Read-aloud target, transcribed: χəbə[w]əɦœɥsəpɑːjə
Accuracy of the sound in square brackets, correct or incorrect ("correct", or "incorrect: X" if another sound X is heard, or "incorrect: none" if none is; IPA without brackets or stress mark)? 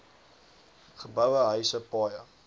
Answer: correct